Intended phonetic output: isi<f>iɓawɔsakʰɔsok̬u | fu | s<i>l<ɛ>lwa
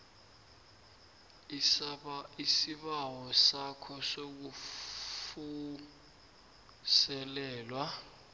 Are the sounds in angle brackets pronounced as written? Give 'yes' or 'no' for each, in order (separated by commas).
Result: no, no, no